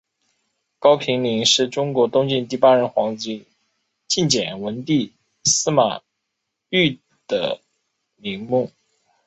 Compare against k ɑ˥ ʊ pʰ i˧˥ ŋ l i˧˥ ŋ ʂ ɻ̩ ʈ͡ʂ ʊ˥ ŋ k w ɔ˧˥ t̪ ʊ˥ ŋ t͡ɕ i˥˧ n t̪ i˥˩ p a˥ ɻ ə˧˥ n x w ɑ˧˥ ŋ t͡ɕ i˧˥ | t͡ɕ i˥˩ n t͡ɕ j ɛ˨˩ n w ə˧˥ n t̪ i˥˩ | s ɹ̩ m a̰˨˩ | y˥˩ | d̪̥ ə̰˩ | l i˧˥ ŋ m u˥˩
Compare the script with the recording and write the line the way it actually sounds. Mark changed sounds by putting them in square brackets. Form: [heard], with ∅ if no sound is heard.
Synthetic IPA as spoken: k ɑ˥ ʊ pʰ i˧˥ ŋ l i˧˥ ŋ ʂ ɻ̩ ʈ͡ʂ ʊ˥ ŋ k w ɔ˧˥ t̪ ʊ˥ ŋ t͡ɕ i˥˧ n t̪ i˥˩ p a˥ ɻ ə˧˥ n x w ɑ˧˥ ŋ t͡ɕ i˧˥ | t͡ɕ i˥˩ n t͡ɕ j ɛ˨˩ n w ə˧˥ n t̪ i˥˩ | s ɹ̩ m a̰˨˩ | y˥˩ | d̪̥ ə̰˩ | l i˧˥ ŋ m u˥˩